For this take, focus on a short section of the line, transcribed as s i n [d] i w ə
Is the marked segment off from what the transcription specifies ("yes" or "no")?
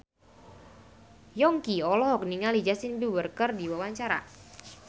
yes